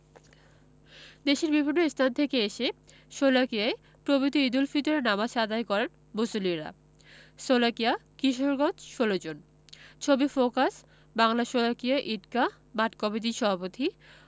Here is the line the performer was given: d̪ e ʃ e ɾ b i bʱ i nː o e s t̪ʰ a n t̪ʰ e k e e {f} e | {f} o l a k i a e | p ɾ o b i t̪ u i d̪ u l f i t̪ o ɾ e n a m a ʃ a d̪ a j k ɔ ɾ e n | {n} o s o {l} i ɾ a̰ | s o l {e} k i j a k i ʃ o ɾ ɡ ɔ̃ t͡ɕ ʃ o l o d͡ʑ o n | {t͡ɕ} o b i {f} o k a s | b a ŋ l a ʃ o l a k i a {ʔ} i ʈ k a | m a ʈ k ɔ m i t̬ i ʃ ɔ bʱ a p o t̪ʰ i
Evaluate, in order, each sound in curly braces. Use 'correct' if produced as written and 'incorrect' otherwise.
incorrect, incorrect, incorrect, correct, incorrect, incorrect, correct, correct

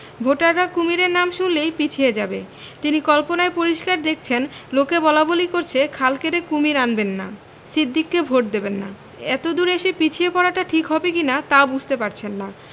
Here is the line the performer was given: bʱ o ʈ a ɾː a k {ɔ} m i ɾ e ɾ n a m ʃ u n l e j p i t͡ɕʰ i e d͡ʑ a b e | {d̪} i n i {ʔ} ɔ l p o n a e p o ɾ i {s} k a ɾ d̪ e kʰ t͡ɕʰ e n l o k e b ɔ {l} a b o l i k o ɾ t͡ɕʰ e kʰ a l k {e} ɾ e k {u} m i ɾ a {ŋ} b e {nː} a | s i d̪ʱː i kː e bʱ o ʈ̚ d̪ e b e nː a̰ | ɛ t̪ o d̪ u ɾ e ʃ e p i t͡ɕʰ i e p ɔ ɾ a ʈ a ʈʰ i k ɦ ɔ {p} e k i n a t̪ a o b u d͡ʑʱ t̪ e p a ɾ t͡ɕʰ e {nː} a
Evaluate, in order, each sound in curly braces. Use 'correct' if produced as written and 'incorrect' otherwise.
incorrect, incorrect, incorrect, incorrect, correct, correct, correct, incorrect, correct, incorrect, correct

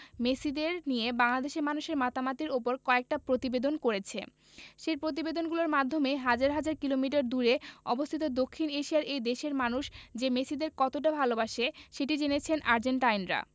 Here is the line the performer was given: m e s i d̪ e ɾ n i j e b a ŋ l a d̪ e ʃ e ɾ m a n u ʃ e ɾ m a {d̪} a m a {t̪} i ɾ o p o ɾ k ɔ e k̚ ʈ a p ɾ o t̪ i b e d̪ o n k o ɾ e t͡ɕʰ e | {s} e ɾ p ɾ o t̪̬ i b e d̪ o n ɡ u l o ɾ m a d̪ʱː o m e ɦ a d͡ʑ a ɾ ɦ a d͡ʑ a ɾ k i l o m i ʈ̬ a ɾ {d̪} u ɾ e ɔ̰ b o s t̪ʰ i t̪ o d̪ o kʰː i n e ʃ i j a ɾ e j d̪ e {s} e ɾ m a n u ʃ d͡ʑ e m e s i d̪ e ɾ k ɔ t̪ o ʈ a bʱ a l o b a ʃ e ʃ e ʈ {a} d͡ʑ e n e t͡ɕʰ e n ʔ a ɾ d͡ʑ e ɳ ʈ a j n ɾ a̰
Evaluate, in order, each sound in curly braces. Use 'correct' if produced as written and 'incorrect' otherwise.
incorrect, correct, incorrect, correct, incorrect, incorrect

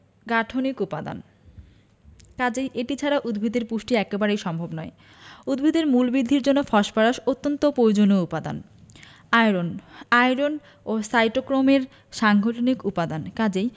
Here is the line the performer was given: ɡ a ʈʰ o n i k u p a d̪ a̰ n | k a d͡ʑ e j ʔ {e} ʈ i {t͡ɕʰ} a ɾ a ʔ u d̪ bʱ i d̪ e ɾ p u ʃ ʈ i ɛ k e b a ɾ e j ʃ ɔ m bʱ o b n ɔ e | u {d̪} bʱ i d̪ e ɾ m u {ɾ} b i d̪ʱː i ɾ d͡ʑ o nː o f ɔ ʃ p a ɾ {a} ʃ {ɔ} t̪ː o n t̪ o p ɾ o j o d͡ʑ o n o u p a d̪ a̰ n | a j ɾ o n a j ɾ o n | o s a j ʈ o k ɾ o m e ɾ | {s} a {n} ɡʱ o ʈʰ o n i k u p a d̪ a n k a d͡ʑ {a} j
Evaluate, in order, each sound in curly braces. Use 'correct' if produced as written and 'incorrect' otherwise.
correct, correct, correct, incorrect, correct, incorrect, incorrect, incorrect, incorrect

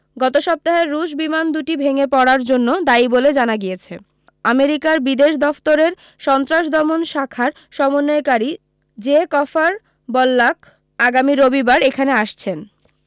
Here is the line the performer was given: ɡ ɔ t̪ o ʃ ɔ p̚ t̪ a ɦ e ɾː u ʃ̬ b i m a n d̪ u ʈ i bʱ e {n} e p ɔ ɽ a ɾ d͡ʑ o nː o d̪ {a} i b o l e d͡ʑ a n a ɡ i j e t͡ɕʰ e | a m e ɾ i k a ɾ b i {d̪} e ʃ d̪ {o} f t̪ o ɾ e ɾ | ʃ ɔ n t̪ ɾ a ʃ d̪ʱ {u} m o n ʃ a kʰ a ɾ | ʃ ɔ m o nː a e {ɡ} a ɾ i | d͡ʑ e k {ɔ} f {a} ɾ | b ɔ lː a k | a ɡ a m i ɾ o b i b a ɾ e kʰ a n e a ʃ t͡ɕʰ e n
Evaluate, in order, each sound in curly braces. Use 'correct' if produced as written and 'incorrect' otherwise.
incorrect, correct, correct, incorrect, incorrect, incorrect, correct, correct

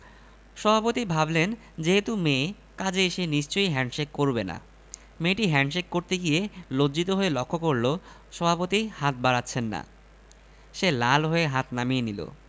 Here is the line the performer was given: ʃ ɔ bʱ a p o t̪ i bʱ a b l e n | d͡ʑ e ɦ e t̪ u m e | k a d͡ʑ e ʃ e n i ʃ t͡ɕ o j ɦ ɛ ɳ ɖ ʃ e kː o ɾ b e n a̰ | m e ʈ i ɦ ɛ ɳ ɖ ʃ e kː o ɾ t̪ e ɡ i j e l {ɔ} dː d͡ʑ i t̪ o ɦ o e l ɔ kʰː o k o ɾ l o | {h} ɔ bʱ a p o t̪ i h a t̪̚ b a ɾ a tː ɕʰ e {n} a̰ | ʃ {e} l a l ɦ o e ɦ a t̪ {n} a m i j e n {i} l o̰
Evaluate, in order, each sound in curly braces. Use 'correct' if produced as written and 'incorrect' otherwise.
incorrect, incorrect, incorrect, correct, correct, correct

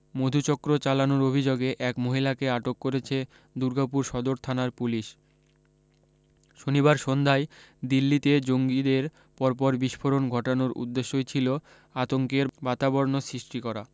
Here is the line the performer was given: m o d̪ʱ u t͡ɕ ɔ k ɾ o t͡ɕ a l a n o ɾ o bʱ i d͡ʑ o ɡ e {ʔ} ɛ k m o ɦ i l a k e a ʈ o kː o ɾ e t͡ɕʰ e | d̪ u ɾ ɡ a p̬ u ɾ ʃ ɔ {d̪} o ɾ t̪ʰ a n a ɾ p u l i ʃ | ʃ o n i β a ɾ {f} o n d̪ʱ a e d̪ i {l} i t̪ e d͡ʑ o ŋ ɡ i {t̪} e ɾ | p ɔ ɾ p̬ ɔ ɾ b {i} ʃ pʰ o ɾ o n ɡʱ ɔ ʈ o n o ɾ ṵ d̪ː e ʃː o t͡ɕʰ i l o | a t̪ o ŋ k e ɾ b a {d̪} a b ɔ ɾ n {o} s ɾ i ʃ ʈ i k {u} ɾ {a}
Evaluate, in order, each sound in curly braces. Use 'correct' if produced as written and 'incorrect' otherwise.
correct, correct, incorrect, incorrect, incorrect, correct, incorrect, correct, incorrect, correct

